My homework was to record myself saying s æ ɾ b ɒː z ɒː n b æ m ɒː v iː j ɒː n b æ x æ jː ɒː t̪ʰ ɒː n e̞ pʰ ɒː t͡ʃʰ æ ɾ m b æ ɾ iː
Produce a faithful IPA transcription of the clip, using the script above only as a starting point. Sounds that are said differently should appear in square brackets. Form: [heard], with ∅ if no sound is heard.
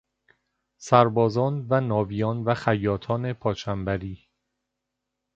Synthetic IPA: s æ ɾ b ɒː z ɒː n [v] æ [n] ɒː v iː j ɒː n [v] æ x æ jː ɒː t̪ʰ ɒː n e̞ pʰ ɒː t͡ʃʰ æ [∅] m b æ ɾ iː